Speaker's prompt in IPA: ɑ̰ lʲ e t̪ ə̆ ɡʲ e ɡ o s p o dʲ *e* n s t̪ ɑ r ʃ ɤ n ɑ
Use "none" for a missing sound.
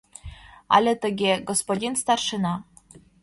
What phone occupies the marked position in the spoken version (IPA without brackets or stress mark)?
i